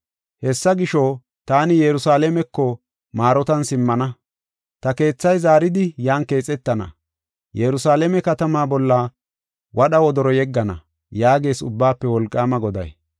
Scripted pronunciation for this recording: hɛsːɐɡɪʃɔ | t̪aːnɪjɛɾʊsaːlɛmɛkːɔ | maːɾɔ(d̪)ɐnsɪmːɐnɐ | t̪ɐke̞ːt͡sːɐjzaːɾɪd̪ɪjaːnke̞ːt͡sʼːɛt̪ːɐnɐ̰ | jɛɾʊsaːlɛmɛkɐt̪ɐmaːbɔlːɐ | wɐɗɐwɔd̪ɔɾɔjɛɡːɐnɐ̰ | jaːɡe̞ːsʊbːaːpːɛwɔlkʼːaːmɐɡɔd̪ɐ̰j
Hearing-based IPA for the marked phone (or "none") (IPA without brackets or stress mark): t̪